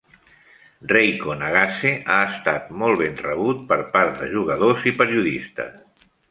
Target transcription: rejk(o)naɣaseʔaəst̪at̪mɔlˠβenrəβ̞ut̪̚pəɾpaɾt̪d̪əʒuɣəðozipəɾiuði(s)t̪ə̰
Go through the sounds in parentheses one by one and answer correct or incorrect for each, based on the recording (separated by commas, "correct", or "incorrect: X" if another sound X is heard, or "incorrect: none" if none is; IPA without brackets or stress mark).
correct, correct